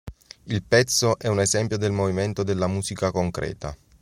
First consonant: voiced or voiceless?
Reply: voiced